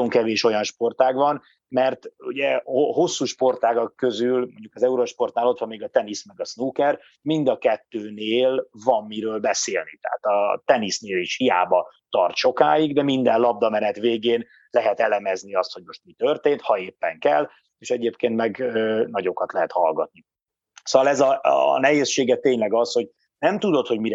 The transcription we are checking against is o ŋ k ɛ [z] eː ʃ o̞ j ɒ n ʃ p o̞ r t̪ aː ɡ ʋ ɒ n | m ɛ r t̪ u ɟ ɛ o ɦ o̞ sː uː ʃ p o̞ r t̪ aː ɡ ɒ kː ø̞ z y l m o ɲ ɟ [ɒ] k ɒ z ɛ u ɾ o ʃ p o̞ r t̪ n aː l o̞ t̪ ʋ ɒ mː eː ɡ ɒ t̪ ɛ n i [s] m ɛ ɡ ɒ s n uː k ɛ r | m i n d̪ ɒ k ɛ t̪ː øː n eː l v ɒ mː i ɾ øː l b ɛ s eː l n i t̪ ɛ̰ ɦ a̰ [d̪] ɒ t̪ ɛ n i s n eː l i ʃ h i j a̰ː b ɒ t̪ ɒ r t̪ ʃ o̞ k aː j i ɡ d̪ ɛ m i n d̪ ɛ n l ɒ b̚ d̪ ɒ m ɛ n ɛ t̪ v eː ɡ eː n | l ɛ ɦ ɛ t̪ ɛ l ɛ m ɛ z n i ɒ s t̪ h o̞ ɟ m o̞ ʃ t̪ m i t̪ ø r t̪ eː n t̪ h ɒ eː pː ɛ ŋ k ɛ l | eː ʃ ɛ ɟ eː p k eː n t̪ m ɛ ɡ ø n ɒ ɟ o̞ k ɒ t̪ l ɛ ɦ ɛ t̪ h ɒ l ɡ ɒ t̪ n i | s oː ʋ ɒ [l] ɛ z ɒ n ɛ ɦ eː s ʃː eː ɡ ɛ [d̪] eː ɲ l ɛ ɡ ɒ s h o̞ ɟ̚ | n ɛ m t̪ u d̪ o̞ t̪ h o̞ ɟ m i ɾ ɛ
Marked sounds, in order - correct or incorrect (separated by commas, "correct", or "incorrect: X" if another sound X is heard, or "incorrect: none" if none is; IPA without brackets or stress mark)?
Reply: incorrect: v, incorrect: u, correct, incorrect: t̪, correct, incorrect: t̪